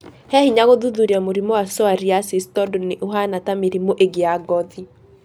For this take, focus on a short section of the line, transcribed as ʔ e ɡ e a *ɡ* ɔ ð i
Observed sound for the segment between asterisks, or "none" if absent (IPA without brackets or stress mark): ɡ